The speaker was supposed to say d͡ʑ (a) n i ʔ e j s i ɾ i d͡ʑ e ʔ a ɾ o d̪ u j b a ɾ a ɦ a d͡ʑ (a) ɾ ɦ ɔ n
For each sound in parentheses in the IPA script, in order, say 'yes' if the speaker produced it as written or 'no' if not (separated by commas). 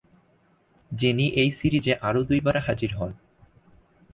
no, no